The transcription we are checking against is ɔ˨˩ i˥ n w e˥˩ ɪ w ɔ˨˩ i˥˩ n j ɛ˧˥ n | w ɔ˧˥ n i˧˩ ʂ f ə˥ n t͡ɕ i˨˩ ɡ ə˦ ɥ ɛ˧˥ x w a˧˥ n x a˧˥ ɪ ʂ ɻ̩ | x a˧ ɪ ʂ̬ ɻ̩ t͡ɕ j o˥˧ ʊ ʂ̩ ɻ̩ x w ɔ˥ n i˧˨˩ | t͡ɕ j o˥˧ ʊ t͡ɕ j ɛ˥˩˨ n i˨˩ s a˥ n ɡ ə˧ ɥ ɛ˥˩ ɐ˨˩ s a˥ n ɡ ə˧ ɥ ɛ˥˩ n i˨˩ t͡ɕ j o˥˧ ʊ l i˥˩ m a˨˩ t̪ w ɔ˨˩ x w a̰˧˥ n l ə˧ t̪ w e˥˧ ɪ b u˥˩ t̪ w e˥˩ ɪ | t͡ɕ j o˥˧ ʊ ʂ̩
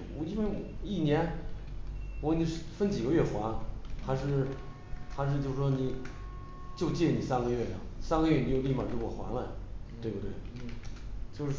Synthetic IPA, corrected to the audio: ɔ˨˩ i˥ n w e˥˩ ɪ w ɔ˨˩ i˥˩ n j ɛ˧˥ n | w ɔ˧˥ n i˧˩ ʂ f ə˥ n t͡ɕ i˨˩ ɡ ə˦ ɥ ɛ˥˩ x w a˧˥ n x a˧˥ ɪ ʂ ɻ̩ | x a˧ ɪ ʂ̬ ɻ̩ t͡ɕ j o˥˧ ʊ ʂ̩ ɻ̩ ʂ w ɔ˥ n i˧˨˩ | t͡ɕ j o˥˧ ʊ t͡ɕ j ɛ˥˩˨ n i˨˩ s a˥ n ɡ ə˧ ɥ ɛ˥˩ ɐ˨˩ s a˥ n ɡ ə˧ ɥ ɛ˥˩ n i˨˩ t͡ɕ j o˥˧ ʊ l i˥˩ m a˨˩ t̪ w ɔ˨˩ x w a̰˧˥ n l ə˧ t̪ w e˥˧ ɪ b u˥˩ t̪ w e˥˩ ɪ | t͡ɕ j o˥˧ ʊ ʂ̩